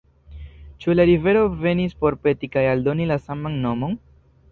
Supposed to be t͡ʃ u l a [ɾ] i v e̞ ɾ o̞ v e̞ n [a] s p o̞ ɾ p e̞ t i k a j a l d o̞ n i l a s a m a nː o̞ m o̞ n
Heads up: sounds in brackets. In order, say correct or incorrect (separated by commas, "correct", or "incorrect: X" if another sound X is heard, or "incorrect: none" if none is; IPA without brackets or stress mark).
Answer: correct, incorrect: i